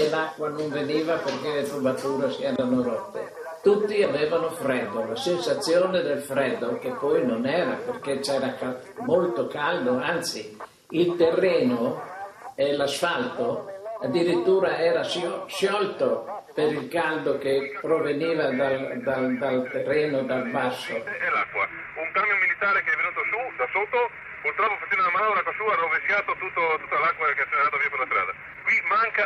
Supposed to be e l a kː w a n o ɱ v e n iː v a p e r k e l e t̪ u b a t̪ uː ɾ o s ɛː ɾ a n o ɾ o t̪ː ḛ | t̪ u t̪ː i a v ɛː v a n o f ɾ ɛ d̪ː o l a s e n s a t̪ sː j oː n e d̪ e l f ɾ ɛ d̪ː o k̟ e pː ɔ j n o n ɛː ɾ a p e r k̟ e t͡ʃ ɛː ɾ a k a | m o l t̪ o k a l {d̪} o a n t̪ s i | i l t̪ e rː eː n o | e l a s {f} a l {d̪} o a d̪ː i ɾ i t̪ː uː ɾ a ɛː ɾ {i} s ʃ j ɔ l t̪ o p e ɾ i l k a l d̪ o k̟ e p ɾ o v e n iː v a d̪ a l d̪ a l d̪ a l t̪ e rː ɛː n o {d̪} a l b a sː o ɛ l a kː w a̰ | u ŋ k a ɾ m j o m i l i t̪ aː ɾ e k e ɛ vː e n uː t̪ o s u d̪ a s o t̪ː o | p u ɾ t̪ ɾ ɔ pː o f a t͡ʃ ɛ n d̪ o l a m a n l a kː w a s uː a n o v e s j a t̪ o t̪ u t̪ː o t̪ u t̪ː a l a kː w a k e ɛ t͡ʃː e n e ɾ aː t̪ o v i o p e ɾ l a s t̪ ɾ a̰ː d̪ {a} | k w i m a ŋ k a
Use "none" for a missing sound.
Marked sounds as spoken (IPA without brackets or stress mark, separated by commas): d̪, f, t̪, a, d̪, a